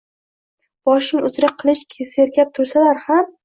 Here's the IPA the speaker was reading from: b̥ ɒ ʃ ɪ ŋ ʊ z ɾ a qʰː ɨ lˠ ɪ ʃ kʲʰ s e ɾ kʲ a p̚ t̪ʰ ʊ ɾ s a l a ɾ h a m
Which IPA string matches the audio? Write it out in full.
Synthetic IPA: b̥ ɒ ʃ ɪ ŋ ʊ z ɾ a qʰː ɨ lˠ ɪ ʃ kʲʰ s e ɾ kʲ a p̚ t̪ʰ ʊ ɾ s a l a ɾ h a m